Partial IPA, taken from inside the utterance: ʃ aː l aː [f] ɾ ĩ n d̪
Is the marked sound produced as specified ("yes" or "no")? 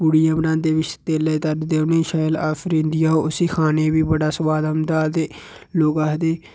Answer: yes